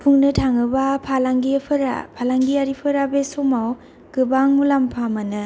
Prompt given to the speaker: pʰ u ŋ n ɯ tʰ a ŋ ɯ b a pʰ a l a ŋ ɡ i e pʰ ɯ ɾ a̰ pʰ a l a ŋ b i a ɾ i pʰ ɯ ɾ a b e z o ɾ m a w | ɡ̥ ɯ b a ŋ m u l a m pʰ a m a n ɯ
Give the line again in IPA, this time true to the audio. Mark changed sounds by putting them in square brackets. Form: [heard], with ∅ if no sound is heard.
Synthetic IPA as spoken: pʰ u ŋ n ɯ tʰ a ŋ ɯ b a pʰ a l a ŋ ɡ i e pʰ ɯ ɾ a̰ pʰ a l a ŋ [ɡ] i a ɾ i pʰ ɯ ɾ a b e [s] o [∅] m a w | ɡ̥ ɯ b a ŋ m u l a m pʰ a m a n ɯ